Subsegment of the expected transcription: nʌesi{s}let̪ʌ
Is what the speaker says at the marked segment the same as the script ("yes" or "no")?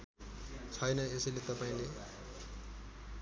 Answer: no